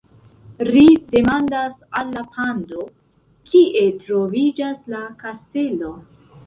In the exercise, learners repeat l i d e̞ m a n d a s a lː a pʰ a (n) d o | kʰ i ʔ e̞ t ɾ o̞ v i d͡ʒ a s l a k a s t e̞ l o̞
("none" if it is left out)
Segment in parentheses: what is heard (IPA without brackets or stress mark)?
n